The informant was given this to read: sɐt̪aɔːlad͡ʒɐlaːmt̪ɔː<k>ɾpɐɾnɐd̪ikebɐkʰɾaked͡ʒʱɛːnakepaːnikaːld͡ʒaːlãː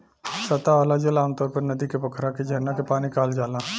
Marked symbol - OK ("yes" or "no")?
no